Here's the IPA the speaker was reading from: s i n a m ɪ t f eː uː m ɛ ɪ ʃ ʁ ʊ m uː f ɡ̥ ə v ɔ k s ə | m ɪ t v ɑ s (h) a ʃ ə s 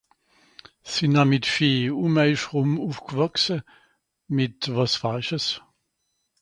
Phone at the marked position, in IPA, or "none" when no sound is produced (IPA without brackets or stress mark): f